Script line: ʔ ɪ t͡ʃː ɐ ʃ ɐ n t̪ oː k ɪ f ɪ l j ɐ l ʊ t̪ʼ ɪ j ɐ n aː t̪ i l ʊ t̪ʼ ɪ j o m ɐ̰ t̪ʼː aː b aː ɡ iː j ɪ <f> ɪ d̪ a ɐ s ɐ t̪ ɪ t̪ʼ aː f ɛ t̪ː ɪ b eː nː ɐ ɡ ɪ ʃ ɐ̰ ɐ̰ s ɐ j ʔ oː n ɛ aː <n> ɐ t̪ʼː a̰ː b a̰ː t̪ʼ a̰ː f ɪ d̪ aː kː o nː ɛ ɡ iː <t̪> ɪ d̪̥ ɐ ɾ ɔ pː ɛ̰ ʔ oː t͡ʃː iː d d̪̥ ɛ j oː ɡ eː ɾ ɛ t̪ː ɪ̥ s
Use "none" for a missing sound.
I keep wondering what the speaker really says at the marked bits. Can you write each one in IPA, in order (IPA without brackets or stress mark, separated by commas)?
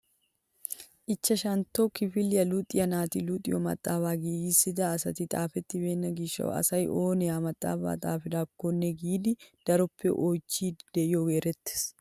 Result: s, m, d̪